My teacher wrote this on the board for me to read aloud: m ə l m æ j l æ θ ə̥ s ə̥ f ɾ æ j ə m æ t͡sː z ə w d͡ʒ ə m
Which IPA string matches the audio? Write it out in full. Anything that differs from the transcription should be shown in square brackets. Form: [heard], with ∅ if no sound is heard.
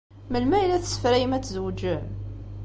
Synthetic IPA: m ə l m æ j l æ θ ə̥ s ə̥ f ɾ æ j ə m æ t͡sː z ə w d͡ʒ ə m

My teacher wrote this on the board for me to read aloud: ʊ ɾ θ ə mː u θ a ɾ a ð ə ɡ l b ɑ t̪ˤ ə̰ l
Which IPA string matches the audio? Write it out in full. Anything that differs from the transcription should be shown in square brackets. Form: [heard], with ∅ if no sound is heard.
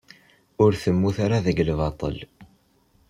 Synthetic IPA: ʊ ɾ θ ə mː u θ a ɾ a ð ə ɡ l [v] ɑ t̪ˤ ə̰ l

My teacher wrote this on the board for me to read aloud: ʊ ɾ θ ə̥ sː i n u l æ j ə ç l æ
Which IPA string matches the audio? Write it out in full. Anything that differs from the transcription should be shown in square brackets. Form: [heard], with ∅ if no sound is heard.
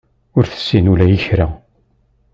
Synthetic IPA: ʊ ɾ θ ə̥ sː i n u l æ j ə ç [ɾ] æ

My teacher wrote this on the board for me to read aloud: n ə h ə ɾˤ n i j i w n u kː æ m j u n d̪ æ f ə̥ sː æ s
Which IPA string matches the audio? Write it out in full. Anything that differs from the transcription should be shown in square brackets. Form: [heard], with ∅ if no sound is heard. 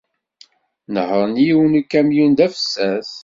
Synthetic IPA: n ə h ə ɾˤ n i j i w n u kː æ m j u n d̪ æ f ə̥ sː æ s

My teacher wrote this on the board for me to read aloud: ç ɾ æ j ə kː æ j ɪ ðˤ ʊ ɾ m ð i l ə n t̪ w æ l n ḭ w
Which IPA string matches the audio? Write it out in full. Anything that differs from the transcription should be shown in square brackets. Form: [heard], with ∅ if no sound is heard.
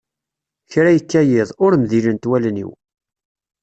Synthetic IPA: ç ɾ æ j ə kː æ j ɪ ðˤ ʊ ɾ m ð i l ə n t̪ w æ l n ḭ w

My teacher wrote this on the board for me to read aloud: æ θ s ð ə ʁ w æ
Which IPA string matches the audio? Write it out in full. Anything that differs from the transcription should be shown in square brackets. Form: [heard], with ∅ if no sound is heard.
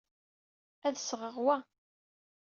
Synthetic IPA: æ [ð] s [ʁ] ə ʁ w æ

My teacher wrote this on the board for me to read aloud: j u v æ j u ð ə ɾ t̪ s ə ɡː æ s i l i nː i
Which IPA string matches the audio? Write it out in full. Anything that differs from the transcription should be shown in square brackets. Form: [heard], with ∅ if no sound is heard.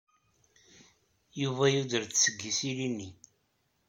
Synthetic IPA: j u v æ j u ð ə ɾ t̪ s ə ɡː [i] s i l i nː i

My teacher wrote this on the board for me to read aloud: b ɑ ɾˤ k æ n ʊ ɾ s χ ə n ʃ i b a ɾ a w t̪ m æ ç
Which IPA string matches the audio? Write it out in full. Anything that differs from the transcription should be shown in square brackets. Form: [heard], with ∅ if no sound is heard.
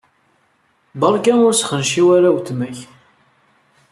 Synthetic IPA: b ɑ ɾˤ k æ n ʊ ɾ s χ ə n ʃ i [w] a ɾ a w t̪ m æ ç

